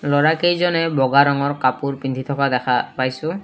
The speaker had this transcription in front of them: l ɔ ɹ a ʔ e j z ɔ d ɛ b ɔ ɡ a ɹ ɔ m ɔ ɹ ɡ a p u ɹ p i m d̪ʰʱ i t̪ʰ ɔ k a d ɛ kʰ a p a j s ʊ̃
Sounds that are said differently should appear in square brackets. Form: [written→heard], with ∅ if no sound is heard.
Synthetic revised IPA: l ɔ ɹ a [ʔ→k] e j z ɔ [d→n] ɛ b ɔ ɡ a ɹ ɔ [m→ŋ] ɔ ɹ [ɡ→k] a p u ɹ p i [m→n] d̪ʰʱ i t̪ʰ ɔ k a d ɛ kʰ a p a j s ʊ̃